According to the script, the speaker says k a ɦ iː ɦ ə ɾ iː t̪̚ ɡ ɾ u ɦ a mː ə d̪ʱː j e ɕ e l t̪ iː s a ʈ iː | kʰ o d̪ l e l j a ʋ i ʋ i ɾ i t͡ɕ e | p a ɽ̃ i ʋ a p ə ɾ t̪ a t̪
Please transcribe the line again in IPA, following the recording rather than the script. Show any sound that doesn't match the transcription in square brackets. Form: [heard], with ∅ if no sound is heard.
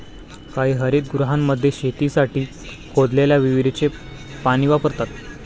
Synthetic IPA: k a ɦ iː ɦ ə ɾ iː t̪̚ ɡ ɾ u ɦ a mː ə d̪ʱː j e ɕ e [∅] t̪ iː s a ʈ iː | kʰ o d̪ l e l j a ʋ i ʋ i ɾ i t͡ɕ e | p a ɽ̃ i ʋ a p ə ɾ t̪ a t̪